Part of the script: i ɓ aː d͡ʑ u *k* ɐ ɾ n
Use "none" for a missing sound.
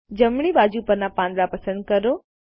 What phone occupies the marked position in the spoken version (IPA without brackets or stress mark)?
p